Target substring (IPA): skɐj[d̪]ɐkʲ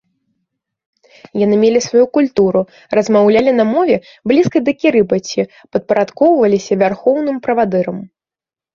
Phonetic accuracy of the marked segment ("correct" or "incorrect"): correct